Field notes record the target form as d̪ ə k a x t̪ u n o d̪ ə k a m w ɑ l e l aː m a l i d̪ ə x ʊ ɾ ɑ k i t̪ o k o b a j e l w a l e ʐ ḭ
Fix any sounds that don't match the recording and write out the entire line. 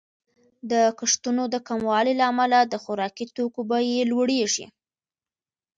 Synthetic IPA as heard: d̪ ə k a ʂ t̪ u n o d̪ ə k a m w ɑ l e l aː m a l a d̪ ə x ʊ ɾ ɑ k i t̪ o k o b a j e l w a ɽ e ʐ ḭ